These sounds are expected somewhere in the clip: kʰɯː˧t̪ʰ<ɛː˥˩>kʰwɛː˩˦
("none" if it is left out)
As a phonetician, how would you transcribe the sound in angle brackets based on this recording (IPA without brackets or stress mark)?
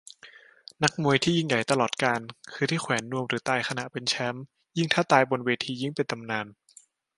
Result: iː˥˩